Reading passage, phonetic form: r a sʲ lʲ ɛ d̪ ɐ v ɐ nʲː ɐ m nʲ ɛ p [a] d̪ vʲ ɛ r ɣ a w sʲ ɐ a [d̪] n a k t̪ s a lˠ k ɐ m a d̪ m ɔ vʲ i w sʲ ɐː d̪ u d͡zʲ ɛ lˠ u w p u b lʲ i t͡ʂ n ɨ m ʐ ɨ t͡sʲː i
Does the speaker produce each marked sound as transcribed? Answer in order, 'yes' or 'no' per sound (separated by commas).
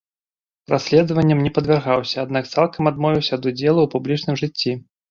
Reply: no, yes